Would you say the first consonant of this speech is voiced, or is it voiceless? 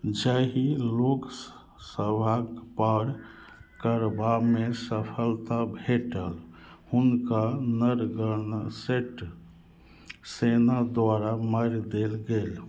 voiced